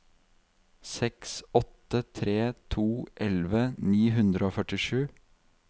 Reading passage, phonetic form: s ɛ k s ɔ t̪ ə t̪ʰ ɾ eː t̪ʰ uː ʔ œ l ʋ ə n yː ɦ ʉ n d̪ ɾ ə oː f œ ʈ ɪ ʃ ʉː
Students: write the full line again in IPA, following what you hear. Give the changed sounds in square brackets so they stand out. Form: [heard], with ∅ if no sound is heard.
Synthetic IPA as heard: s ɛ k s ɔ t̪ ə t̪ʰ ɾ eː t̪ʰ uː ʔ [ɛ] l ʋ ə n [iː] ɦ ʉ n d̪ ɾ ə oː f œ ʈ ɪ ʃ ʉː